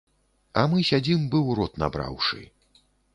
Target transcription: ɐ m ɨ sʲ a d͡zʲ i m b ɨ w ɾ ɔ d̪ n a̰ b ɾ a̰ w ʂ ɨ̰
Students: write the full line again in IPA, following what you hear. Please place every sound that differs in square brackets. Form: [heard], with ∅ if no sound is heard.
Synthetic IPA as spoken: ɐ m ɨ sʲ a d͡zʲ i m b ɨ w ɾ ɔ [t̪] n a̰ b ɾ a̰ w ʂ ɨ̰